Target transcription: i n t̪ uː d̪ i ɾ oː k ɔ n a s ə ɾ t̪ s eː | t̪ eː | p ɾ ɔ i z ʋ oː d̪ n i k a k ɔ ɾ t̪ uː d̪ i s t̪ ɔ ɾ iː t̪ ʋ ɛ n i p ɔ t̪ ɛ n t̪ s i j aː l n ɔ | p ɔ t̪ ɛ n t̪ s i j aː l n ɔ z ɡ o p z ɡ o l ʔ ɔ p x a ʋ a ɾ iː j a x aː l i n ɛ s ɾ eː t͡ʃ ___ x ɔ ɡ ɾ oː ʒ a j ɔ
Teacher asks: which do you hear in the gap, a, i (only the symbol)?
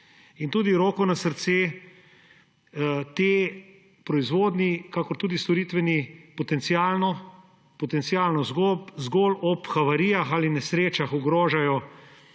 a